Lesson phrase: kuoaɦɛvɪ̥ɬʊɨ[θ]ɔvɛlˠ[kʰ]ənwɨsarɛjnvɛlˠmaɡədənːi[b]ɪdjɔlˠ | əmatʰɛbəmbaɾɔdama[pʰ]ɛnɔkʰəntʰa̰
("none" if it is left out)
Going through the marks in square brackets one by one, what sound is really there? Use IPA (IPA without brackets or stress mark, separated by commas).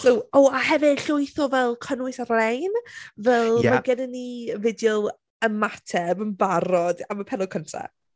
θ, kʰ, v, pʰ